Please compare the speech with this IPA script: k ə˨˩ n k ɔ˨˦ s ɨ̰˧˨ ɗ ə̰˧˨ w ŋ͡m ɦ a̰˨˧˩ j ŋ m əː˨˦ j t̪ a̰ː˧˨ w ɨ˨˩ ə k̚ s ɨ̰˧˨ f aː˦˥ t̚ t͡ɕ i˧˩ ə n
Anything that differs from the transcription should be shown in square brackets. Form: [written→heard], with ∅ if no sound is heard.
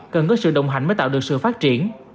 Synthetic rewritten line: k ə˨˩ n k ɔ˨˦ s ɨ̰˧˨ ɗ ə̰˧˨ w ŋ͡m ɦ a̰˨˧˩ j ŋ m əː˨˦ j t̪ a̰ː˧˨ w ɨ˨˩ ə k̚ s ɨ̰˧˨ f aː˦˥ t̚ t͡ɕ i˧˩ ə n